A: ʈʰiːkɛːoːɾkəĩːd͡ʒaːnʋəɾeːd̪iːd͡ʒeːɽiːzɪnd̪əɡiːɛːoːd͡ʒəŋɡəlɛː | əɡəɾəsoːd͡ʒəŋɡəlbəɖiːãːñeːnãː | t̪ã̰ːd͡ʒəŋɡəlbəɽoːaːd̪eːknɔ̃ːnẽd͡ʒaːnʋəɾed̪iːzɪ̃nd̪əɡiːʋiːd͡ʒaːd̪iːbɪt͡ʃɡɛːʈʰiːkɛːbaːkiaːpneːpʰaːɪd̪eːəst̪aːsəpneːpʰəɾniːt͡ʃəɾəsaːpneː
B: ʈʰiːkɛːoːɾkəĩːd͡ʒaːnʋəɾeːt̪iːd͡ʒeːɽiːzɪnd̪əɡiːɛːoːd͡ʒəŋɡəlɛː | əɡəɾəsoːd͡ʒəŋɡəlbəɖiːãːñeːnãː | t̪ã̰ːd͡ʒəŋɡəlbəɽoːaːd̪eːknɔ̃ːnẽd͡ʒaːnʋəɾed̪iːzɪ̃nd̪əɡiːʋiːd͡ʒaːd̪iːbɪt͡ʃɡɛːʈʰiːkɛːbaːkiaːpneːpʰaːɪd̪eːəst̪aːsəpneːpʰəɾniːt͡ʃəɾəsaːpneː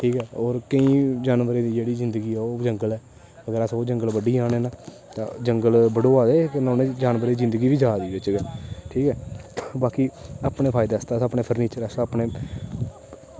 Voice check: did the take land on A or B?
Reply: A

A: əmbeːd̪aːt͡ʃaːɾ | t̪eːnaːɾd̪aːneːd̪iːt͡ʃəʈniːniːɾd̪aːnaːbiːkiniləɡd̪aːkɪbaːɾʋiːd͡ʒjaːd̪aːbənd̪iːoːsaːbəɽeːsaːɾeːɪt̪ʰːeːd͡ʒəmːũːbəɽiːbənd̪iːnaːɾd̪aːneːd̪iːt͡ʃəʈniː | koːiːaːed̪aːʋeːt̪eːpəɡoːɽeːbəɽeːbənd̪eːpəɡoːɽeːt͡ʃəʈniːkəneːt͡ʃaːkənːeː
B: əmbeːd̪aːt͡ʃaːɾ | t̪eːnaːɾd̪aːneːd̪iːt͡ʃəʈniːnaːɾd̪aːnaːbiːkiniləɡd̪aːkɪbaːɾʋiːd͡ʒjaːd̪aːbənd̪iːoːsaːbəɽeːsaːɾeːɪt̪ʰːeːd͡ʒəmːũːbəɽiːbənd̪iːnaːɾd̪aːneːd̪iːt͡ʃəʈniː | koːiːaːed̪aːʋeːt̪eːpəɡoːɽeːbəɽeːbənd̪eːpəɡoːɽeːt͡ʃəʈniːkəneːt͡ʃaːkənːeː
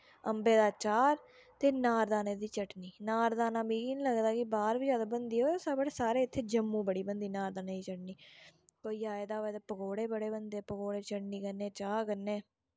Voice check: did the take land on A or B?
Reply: B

